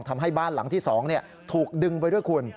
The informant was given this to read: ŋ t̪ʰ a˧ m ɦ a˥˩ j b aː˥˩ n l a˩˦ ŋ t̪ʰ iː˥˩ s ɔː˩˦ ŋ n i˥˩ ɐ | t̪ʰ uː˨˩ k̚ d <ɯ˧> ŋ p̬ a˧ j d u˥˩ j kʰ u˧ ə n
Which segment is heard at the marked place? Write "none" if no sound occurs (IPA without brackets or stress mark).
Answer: ɯ˧